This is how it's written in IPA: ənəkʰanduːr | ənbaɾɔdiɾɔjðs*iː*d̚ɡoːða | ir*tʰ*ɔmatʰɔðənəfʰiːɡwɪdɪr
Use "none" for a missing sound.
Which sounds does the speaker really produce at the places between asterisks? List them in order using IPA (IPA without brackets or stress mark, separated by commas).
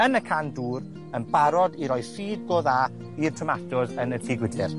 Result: iː, tʰ